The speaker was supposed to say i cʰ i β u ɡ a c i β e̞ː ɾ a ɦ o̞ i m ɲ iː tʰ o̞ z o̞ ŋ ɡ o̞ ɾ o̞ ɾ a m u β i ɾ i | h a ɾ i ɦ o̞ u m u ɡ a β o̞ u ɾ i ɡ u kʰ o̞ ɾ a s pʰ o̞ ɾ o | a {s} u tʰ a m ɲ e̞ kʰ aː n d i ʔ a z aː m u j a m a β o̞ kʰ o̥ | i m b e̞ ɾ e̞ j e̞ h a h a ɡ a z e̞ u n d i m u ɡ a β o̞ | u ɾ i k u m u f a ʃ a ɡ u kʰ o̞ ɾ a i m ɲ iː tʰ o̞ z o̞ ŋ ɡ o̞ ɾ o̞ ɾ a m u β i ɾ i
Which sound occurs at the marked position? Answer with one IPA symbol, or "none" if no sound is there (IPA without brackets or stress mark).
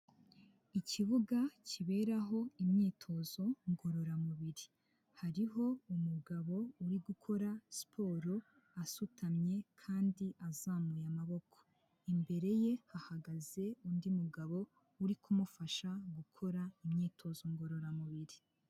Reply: s